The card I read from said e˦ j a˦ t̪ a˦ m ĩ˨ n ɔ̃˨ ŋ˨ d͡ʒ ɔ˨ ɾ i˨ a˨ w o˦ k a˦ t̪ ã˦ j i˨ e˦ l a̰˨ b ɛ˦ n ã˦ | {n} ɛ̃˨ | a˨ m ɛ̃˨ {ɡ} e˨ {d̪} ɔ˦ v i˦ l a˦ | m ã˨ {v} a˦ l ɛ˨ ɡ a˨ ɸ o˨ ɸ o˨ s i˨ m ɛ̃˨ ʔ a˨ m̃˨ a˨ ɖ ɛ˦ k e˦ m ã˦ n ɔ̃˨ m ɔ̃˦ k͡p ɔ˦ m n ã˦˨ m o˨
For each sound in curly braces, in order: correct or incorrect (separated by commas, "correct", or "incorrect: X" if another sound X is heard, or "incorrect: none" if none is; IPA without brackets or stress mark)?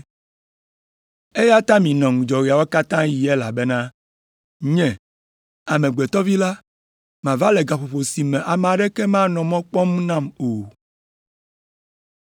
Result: incorrect: ɲ, incorrect: ɡ͡b, incorrect: t̪, correct